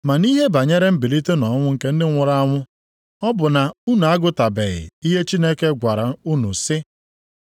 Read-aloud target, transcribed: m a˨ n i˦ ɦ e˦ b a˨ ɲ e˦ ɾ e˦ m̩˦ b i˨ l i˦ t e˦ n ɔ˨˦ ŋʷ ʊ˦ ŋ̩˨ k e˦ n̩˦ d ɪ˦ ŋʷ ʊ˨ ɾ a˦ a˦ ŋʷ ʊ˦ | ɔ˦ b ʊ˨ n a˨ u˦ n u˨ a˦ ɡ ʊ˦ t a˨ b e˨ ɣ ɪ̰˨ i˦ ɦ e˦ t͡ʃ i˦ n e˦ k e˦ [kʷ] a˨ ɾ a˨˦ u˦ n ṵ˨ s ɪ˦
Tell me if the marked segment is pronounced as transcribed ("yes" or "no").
no